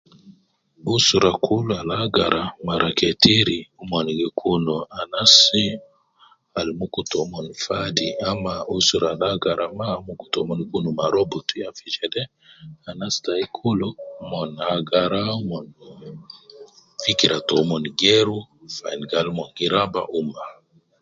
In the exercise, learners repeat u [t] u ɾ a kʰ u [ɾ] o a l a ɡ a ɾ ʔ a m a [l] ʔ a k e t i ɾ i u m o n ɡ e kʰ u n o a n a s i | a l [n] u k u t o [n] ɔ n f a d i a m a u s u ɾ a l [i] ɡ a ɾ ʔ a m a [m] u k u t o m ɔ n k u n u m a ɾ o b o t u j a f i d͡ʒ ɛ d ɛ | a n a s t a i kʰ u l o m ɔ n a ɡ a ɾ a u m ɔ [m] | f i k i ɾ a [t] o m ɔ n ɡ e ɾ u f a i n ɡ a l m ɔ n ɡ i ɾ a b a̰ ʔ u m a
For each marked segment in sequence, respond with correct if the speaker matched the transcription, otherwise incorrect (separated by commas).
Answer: incorrect, incorrect, incorrect, incorrect, incorrect, incorrect, correct, incorrect, correct